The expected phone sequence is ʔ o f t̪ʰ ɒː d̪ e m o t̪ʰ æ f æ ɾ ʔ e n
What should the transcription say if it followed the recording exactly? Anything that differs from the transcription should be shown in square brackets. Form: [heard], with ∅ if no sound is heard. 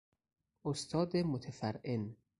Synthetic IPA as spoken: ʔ o [s] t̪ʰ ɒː d̪ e m o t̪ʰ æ f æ ɾ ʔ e n